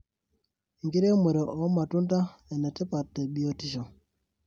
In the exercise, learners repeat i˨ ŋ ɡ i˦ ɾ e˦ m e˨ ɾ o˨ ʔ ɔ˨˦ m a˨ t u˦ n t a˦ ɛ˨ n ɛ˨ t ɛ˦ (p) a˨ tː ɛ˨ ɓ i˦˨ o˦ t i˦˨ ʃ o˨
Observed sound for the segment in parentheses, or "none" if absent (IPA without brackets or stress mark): p